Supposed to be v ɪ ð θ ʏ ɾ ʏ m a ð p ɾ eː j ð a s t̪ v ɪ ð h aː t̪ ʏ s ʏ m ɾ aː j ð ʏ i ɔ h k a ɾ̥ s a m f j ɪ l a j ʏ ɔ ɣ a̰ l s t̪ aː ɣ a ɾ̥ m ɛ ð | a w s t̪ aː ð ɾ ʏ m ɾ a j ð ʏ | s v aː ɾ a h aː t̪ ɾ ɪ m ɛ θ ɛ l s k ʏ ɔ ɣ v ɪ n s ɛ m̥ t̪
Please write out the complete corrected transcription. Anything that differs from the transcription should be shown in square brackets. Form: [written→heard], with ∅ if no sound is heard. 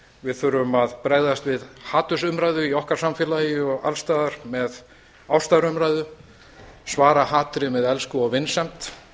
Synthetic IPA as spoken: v ɪ ð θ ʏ ɾ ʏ m a ð p ɾ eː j ð a s t̪ v ɪ ð h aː t̪ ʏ s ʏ m ɾ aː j ð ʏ i ɔ h k a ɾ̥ s a m f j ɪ l a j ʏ ɔ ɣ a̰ l s t̪ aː [ɣ→ð] a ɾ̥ m ɛ ð | a w s t̪ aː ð ɾ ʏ m ɾ a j ð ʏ | s v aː ɾ a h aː t̪ ɾ ɪ m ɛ [θ→ð] ɛ l s k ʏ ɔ ɣ v ɪ n s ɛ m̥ t̪

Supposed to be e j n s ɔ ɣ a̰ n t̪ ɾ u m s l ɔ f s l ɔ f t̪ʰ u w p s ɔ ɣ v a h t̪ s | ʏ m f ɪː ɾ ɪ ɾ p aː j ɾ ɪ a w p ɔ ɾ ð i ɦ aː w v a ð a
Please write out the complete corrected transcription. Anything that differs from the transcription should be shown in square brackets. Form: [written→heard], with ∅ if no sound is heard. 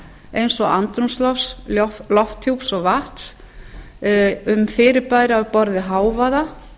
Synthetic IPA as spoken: e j n s ɔ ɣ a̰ n t̪ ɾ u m s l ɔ f s l ɔ f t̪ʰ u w p s ɔ ɣ v a h t̪ s | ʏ m f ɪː ɾ ɪ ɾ p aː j ɾ ɪ a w p ɔ ɾ ð [i→ɪ] ɦ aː w v a ð a

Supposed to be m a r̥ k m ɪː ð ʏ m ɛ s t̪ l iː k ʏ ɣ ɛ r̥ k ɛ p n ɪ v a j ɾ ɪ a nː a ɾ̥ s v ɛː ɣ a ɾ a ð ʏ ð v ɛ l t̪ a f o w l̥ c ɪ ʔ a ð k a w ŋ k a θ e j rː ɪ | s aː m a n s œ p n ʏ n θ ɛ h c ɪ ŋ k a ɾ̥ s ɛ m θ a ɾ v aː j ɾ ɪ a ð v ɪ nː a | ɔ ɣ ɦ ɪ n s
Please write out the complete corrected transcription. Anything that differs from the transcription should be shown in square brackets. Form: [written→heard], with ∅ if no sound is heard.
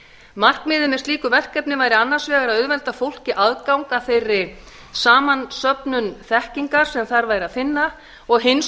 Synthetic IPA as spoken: m a r̥ k m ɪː ð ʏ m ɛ s t̪ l iː k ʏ [ɣ→v] ɛ r̥ k ɛ p n ɪ v a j ɾ ɪ a nː a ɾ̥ s v ɛː ɣ a ɾ a ð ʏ ð v ɛ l t̪ a f o w l̥ c ɪ ʔ a ð k a w ŋ k a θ e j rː ɪ | s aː m a n s œ p n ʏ n θ ɛ h c [ɪ→i] ŋ k a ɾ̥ s ɛ m θ a ɾ v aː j ɾ ɪ a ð [v→f] ɪ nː a | ɔ ɣ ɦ ɪ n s

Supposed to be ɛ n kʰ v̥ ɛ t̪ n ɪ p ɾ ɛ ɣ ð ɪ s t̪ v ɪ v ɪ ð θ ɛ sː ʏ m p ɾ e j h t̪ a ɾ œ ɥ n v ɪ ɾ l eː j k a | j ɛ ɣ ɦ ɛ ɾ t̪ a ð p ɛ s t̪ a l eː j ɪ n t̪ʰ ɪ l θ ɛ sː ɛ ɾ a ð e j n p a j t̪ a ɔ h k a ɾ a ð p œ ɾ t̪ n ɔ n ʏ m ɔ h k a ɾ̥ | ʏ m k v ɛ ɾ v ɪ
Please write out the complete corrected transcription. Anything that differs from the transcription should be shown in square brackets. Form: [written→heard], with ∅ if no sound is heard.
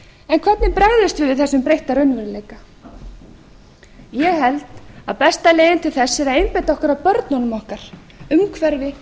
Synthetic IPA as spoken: ɛ n kʰ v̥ ɛ t̪ n ɪ p ɾ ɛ ɣ ð ɪ s t̪ v ɪ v ɪ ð θ ɛ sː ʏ m p ɾ e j h t̪ a ɾ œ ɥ n v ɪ ɾ l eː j k a | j ɛ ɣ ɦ ɛ [ɾ→l] t̪ a ð p ɛ s t̪ a l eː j ɪ n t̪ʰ ɪ l θ ɛ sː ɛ ɾ a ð e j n p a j t̪ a ɔ h k a ɾ a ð p œ ɾ t̪ n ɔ n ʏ m ɔ h k a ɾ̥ | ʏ m [k→kʰ] v ɛ ɾ v ɪ

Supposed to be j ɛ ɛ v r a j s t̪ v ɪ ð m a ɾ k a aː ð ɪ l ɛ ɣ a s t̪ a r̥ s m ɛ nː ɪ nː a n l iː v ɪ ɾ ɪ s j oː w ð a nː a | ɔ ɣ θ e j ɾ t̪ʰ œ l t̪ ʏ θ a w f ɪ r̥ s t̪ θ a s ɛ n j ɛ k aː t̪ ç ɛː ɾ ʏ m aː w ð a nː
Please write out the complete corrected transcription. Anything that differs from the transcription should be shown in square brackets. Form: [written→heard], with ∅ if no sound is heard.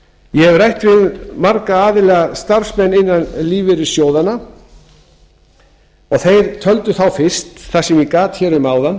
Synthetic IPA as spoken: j ɛ ɛ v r a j [s→h] t̪ v ɪ ð m a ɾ k a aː ð ɪ l ɛ ɣ a s t̪ a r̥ s m ɛ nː ɪ nː a n l iː v ɪ ɾ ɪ s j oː w ð a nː a | ɔ ɣ θ e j ɾ t̪ʰ œ l t̪ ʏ θ a w f ɪ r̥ s t̪ θ a s ɛ [n→m] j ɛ k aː t̪ ç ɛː ɾ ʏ m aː w ð a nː

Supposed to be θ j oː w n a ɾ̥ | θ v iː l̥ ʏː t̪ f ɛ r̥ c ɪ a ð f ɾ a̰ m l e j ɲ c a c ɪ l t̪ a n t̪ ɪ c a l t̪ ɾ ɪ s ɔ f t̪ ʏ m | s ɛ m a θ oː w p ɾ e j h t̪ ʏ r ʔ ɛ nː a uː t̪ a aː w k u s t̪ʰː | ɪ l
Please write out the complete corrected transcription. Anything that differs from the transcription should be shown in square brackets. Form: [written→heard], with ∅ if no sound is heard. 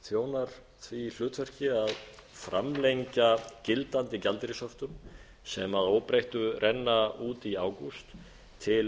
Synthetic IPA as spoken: θ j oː w n a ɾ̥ | θ v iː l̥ ʏː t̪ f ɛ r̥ c ɪ a ð f ɾ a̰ m l e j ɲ c a c ɪ l t̪ a n t̪ ɪ c a l t̪ ɾ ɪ s ɔ f t̪ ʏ m | s ɛ m a [θ→ð] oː w p ɾ e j h t̪ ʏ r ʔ ɛ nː a uː t̪ [a→i] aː w k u s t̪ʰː | ɪ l

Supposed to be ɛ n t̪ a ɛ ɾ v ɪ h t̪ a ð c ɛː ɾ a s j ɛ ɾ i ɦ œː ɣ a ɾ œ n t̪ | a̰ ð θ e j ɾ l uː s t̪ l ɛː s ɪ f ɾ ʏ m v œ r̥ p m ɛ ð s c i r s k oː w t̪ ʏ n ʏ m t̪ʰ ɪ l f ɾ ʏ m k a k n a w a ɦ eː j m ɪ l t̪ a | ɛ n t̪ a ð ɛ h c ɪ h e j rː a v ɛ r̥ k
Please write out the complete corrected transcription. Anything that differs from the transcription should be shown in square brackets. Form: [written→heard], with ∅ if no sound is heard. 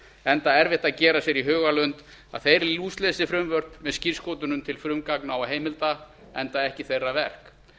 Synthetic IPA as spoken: ɛ n t̪ a ɛ ɾ v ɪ h t̪ a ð c ɛː ɾ a s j ɛ ɾ i ɦ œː ɣ a [ɾ→l] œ n t̪ | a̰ ð θ e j ɾ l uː s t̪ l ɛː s ɪ f ɾ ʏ m v œ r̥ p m ɛ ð s c i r s k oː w t̪ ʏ n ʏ m t̪ʰ ɪ l f ɾ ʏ m k a k n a w a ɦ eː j m ɪ l t̪ a | ɛ n t̪ a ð ɛ h c ɪ [h→θ] e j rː a v ɛ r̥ k

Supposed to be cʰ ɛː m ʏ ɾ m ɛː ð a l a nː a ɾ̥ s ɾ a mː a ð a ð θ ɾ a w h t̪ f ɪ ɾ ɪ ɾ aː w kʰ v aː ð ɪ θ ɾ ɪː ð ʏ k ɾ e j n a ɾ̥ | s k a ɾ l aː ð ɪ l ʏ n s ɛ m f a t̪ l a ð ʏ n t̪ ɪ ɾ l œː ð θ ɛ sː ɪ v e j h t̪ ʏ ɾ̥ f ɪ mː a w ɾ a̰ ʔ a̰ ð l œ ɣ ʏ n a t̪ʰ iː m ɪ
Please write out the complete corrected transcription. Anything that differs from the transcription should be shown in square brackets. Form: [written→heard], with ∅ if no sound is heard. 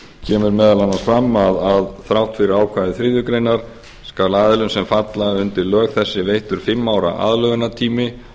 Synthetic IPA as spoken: cʰ ɛː m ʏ ɾ m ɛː ð a l a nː a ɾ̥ [s→f] ɾ a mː a ð a ð θ ɾ a w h t̪ f ɪ ɾ ɪ ɾ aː w kʰ v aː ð ɪ θ ɾ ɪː ð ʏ k ɾ e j n a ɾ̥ | s k a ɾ l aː ð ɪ l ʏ n s ɛ m f a t̪ l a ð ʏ n t̪ ɪ ɾ l œː [ð→ɣ] θ ɛ sː ɪ v e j h t̪ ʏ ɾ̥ f ɪ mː a w ɾ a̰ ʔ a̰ ð l œ ɣ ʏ n a t̪ʰ iː m ɪ

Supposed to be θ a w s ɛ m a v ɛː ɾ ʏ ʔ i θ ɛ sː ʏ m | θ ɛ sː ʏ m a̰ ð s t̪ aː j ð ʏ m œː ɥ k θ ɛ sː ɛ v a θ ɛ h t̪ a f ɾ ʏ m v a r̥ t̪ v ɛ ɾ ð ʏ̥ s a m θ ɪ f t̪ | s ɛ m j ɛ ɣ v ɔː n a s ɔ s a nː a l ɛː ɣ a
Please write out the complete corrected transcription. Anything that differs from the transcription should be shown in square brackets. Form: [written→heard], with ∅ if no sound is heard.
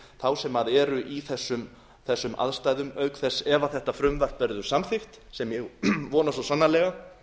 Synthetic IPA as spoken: θ a w s ɛ m a [v→ð] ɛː ɾ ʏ ʔ i θ ɛ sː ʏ m | θ ɛ sː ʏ m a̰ ð s t̪ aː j ð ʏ m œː ɥ k θ ɛ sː ɛ v a θ ɛ h t̪ a f ɾ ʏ m v a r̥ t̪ v ɛ ɾ ð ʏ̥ s a m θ ɪ f t̪ | s ɛ m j ɛ ɣ v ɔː n a s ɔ s a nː a l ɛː ɣ a

